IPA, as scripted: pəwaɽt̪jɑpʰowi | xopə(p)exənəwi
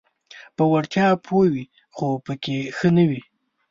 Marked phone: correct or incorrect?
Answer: incorrect